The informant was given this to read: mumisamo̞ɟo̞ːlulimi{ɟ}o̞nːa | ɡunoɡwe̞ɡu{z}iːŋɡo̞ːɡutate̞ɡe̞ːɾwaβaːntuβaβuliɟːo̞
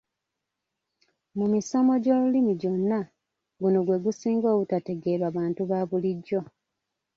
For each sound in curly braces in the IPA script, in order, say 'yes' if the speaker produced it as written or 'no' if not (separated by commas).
yes, no